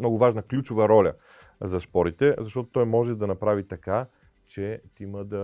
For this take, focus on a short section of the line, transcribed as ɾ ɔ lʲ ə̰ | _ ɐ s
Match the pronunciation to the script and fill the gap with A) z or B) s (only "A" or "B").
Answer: A